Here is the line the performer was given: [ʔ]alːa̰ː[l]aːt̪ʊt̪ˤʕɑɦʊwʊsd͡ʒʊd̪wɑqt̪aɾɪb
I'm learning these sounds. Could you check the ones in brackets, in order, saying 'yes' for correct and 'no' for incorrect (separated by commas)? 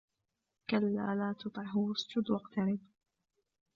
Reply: no, yes